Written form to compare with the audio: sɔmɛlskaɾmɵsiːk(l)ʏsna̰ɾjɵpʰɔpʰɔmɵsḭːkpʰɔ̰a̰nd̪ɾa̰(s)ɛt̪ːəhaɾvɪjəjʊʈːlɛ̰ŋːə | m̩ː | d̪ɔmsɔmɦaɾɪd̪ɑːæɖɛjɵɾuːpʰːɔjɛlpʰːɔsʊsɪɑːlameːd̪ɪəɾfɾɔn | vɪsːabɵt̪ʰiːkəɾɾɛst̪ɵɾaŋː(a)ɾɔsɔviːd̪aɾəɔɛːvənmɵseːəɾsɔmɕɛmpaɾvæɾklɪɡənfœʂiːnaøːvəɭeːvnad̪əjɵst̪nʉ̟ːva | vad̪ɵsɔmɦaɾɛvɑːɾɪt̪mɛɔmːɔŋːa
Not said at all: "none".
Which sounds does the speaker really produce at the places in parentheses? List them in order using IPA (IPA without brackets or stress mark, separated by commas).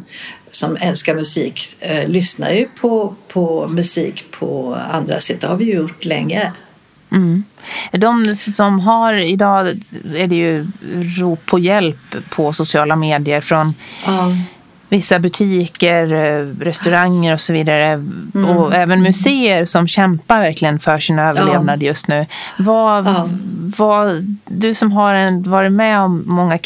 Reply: l, s, ə